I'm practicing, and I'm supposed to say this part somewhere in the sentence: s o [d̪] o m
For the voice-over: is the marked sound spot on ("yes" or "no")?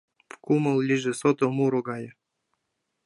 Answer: no